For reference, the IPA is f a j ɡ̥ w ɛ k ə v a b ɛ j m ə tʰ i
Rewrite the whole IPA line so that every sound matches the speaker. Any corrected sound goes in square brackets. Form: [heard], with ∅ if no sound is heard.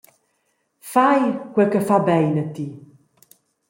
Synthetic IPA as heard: f a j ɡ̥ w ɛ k ə [f] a b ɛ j [n] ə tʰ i